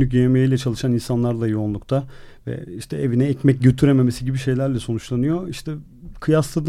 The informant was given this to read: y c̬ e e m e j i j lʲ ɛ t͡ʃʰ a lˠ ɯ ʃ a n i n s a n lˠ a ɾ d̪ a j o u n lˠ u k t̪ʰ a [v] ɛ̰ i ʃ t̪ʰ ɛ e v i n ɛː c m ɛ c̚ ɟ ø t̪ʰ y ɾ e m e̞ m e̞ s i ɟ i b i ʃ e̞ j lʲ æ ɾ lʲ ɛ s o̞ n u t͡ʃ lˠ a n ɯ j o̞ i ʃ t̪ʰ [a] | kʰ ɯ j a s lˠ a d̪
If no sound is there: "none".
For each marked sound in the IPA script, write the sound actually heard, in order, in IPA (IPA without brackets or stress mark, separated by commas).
v, ɛ